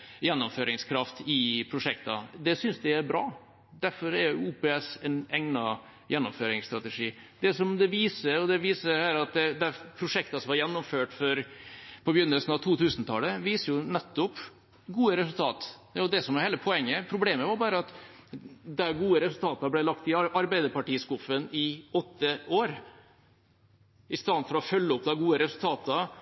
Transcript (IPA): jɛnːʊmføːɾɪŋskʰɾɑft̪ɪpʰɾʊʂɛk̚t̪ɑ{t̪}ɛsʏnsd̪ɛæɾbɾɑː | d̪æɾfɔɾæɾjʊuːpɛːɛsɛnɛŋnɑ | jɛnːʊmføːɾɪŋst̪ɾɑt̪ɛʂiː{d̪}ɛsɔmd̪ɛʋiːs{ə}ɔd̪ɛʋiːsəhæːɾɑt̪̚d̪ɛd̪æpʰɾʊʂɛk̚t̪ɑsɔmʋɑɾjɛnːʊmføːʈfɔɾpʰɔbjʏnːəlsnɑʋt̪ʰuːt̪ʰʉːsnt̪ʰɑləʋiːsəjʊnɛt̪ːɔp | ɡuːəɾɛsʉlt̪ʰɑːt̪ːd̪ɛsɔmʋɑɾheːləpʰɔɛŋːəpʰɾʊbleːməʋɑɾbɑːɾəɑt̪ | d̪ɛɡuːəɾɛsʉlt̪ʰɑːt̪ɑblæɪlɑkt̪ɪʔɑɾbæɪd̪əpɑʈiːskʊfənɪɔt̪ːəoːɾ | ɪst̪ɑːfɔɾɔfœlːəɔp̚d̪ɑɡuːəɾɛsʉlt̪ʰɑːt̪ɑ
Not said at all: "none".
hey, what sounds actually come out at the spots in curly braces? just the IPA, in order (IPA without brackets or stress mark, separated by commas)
d̪, d̪, ə